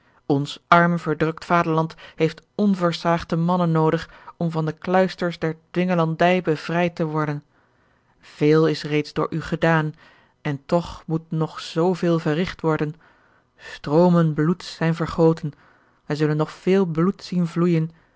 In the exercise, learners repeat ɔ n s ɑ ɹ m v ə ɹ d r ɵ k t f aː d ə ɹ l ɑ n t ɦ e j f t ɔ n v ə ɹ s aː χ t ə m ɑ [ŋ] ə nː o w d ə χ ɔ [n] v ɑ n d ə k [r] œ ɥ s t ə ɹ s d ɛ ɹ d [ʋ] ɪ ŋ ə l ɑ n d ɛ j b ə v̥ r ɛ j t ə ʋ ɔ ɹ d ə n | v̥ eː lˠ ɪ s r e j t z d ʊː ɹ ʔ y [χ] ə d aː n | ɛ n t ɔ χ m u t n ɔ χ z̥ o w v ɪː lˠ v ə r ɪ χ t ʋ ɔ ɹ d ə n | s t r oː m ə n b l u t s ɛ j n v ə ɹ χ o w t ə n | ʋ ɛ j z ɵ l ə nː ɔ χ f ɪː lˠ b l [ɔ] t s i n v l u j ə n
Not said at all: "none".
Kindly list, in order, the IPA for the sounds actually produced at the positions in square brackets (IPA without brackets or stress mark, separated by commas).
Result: n, m, l, ʋ, χ, u